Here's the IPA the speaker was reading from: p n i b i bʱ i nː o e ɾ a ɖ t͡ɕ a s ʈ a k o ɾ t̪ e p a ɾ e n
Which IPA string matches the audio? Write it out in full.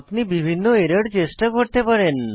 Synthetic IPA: p n i b i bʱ i nː o e ɾ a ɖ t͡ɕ e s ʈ a k o ɾ t̪ e p a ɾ e n